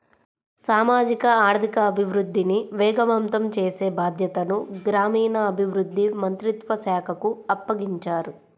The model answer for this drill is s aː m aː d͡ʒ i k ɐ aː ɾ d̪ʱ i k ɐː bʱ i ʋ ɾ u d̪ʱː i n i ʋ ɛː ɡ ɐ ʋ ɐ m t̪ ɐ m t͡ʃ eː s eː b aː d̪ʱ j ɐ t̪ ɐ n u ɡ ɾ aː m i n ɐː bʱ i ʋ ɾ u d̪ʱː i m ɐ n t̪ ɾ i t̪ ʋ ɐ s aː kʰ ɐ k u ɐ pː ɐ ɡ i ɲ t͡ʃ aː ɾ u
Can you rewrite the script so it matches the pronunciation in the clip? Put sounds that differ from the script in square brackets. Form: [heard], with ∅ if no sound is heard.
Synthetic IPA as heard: s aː m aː d͡ʒ i k ɐ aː ɾ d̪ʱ i k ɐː bʱ i ʋ ɾ u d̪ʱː i n i ʋ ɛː ɡ ɐ ʋ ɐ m t̪ ɐ m t͡ʃ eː s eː b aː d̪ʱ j ɐ t̪ ɐ n u ɡ ɾ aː m [iː] n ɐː bʱ i ʋ ɾ u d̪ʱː i m ɐ n t̪ ɾ i t̪ ʋ ɐ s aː kʰ ɐ k u ɐ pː ɐ ɡ i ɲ t͡ʃ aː ɾ u